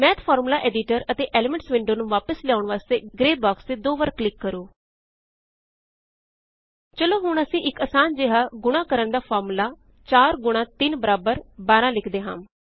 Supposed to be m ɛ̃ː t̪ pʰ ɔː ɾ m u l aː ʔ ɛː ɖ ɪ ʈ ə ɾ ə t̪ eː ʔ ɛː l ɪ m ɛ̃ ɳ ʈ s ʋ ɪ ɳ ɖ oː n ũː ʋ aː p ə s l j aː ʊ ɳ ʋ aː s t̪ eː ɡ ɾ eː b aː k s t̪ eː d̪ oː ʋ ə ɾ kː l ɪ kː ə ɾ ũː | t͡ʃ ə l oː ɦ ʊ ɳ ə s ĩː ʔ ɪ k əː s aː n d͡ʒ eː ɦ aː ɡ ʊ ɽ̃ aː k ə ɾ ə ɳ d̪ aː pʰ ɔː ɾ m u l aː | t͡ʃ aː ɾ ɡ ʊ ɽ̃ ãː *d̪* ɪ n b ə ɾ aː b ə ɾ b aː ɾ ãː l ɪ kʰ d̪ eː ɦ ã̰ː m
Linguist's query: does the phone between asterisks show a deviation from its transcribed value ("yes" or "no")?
yes